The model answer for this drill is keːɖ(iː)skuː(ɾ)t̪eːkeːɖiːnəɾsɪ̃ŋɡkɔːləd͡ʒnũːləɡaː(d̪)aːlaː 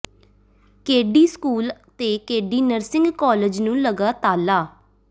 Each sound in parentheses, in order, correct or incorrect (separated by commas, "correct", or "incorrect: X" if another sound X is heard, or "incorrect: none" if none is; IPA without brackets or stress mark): correct, incorrect: l, incorrect: t̪